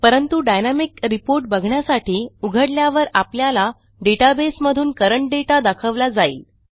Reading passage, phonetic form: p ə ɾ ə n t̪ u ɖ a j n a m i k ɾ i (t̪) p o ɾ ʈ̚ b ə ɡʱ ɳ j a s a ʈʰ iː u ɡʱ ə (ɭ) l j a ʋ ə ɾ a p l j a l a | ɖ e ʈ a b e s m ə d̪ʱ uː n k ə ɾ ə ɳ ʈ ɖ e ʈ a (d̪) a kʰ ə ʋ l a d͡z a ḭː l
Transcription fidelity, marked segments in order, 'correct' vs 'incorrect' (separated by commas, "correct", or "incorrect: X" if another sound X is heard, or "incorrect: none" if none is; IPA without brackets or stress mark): incorrect: none, incorrect: ɽ, correct